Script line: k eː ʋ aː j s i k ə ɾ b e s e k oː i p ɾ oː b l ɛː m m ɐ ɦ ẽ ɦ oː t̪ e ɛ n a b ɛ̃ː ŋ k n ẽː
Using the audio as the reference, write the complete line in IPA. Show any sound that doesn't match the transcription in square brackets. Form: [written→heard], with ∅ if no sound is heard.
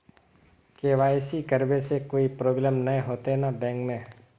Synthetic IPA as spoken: k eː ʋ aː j s i k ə ɾ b e s e k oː i p ɾ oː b l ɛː m [m→n] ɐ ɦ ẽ ɦ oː t̪ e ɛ n a b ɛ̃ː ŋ k [n→m] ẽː